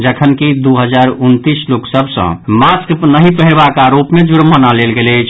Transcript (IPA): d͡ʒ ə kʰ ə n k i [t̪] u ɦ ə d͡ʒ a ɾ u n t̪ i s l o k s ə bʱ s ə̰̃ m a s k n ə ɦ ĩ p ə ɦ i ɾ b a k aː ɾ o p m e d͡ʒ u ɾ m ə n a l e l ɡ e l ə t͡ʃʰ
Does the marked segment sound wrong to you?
yes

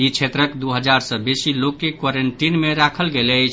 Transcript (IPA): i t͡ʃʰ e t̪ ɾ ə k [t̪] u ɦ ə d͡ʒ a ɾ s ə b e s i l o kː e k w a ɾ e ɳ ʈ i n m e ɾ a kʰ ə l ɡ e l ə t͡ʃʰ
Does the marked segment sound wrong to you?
yes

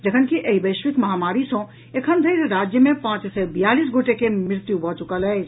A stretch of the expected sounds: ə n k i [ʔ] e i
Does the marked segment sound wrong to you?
no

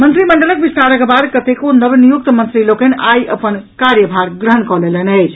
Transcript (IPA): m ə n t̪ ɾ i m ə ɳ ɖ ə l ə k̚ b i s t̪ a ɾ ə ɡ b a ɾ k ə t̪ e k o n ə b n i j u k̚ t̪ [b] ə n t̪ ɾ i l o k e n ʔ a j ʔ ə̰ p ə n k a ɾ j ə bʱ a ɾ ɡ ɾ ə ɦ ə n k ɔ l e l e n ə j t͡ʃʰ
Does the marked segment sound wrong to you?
yes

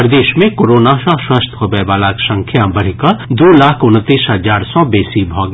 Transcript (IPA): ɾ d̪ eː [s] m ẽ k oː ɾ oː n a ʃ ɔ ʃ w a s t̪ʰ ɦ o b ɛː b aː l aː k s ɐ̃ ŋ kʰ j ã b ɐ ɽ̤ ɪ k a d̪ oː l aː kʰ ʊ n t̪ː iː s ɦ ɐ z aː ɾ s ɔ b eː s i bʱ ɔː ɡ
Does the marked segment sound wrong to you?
yes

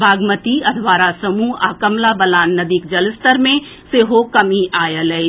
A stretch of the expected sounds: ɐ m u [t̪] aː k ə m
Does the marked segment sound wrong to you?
yes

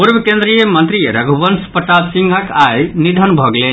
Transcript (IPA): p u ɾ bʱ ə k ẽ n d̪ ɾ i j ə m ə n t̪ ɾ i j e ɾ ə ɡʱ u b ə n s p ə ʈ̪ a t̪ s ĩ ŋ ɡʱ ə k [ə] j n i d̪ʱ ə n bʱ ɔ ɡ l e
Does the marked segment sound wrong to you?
yes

